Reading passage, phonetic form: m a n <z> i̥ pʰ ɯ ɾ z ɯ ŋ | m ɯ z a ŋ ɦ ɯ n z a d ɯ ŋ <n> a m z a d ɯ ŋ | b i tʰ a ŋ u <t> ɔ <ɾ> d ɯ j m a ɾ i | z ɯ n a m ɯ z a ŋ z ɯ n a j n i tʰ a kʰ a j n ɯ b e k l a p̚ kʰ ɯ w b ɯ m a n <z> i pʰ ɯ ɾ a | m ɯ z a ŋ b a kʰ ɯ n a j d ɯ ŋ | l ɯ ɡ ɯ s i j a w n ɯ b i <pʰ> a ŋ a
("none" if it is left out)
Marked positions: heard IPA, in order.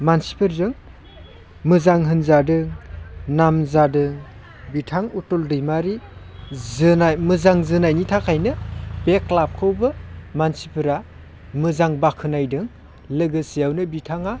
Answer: s, n, t, l, s, tʰ

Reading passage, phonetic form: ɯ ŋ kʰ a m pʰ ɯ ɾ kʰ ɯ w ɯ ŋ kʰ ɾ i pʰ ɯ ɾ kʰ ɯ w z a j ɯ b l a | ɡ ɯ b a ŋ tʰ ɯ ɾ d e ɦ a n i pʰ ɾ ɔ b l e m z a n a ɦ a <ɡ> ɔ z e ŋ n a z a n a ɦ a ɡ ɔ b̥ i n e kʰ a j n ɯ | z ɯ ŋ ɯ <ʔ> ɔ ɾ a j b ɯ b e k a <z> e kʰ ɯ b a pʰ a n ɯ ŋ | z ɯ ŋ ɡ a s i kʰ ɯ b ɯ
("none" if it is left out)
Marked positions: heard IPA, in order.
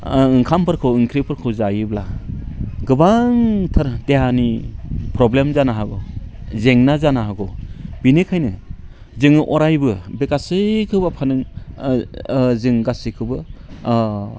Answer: ɡ, ʔ, s

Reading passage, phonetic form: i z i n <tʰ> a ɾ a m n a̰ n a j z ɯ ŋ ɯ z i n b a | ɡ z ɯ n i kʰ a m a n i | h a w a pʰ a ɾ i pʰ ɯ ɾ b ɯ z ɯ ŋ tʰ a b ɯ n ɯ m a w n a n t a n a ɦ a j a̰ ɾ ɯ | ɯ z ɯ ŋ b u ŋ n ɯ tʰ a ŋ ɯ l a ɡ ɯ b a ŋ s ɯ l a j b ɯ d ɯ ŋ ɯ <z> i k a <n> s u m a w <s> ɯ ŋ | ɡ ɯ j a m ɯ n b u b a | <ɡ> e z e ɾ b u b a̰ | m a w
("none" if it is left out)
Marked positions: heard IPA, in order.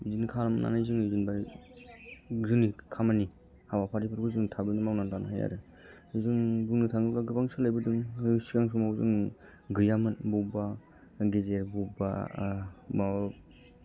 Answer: kʰ, s, ŋ, z, ɡ

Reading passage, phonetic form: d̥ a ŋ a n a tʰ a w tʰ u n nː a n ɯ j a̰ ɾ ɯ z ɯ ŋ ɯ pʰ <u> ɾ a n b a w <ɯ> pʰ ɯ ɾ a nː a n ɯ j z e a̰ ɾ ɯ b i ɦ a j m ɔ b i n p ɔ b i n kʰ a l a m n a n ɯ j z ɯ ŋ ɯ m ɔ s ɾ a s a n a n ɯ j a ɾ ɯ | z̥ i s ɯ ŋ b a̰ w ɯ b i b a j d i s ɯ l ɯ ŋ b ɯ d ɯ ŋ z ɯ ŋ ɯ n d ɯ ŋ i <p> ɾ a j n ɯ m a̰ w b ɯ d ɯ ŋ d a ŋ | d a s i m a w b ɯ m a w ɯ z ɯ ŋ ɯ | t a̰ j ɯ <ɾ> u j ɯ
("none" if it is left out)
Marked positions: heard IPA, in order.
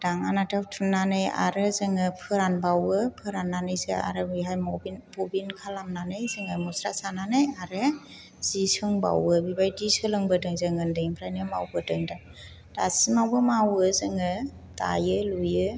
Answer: ɯ, ɯ, pʰ, l

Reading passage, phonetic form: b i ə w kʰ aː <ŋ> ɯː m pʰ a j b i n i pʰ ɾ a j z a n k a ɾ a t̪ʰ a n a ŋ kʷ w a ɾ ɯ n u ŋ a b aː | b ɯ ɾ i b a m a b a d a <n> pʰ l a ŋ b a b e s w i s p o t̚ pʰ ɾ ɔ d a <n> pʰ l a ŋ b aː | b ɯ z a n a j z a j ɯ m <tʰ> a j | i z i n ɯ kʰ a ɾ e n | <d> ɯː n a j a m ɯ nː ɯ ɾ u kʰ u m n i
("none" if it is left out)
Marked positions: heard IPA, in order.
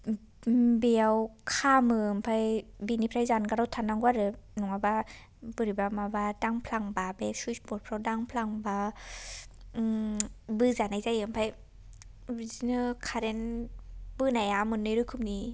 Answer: m, ŋ, ŋ, pʰ, b

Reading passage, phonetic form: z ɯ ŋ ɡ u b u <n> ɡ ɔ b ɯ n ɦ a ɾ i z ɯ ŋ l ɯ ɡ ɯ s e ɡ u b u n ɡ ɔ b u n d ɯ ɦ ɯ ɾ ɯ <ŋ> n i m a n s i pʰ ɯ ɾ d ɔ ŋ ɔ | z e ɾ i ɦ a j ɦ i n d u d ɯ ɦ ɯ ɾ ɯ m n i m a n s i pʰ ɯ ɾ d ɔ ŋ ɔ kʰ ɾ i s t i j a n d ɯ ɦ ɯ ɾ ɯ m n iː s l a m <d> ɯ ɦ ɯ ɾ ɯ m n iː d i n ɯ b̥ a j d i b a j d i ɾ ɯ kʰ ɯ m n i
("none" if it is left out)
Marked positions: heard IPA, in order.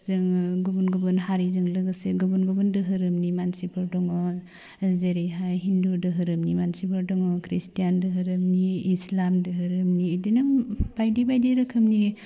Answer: n, m, d

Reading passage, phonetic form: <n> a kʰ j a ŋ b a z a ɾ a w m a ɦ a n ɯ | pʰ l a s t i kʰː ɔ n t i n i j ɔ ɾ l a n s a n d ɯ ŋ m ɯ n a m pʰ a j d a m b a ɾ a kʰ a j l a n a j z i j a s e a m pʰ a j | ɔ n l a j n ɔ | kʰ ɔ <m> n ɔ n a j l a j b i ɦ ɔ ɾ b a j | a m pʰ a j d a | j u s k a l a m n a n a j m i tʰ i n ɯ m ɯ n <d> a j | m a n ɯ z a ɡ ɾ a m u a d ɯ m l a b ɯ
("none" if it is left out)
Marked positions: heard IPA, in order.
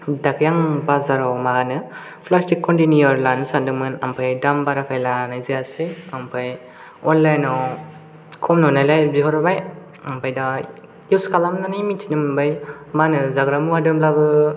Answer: d, m, b

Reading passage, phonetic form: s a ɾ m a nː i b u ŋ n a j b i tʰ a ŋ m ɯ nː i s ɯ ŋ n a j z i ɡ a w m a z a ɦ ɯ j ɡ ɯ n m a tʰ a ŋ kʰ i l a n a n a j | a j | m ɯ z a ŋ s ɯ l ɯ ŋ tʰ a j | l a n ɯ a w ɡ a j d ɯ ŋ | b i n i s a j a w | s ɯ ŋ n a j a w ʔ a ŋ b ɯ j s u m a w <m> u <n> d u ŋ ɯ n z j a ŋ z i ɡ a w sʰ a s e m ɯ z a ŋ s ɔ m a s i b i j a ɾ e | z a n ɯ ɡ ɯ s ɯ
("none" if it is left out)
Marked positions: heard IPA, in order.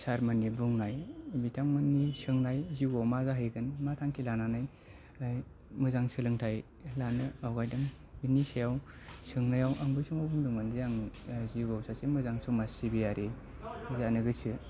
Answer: b, ŋ

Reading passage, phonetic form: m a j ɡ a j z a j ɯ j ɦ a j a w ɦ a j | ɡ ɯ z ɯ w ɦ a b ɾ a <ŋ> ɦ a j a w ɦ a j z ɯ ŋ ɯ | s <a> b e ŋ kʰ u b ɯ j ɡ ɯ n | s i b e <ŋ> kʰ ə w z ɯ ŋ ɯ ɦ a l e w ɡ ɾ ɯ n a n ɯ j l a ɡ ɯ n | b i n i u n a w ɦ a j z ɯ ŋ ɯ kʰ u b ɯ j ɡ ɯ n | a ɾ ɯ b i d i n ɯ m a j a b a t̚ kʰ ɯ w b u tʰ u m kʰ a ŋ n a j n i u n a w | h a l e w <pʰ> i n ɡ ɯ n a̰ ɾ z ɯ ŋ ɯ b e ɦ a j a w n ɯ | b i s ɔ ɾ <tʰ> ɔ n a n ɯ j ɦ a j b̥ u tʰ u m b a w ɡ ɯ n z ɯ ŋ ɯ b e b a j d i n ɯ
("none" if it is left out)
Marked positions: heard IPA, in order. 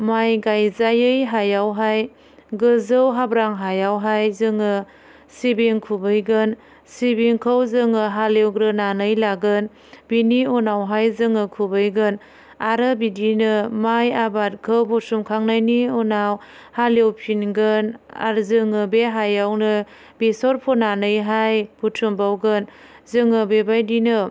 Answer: ŋ, i, ŋ, pʰ, pʰ

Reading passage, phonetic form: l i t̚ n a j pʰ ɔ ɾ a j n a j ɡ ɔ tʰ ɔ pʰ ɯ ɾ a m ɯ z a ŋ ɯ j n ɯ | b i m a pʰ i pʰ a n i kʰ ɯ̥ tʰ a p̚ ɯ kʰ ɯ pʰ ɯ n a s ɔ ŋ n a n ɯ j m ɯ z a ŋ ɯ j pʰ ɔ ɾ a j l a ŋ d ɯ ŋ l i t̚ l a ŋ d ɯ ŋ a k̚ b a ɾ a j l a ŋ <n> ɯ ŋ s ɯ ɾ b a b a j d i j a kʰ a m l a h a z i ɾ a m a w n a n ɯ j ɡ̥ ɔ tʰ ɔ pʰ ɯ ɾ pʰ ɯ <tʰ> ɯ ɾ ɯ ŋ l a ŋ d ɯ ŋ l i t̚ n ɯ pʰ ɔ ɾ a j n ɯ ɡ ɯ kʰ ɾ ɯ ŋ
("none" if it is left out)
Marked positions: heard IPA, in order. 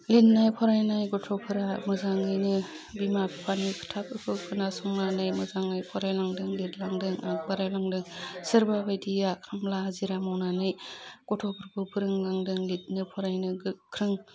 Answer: d, pʰ

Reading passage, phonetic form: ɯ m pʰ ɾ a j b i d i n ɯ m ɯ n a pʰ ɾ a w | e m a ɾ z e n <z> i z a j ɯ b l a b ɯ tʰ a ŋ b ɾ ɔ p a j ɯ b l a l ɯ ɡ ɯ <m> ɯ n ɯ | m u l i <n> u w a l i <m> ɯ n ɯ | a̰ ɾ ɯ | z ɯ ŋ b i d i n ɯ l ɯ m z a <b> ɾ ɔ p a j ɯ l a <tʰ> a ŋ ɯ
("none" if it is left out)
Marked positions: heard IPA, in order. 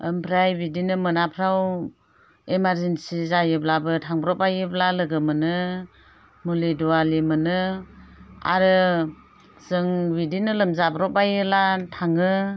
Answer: s, m, d, m, b, tʰ

